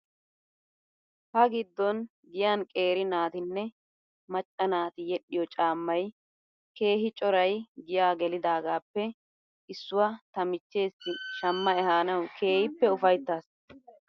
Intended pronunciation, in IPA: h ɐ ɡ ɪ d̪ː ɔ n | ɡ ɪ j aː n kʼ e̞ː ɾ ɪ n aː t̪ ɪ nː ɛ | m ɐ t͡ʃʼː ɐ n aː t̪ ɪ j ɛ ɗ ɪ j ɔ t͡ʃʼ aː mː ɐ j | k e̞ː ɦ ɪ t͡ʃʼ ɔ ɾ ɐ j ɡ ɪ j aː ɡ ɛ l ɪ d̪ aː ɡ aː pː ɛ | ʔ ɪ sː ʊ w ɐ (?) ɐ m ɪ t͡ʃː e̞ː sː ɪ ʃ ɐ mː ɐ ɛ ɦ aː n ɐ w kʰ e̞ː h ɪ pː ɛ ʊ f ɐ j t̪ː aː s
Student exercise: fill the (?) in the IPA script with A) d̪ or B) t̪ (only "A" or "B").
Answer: B